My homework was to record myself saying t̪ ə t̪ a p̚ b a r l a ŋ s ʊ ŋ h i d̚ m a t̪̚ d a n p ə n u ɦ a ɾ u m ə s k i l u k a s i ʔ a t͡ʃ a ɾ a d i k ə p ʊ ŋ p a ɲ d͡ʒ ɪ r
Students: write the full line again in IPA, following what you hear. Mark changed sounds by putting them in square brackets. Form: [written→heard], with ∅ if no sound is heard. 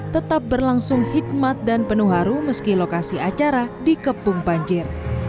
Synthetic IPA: t̪ ə t̪ a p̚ b [a→ə] r l a ŋ s ʊ ŋ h i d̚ m a t̪̚ d a n p ə n u ɦ a ɾ u m ə s k i l [u→o] k a s i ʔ a t͡ʃ a ɾ a d i k ə p ʊ ŋ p a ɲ d͡ʒ ɪ r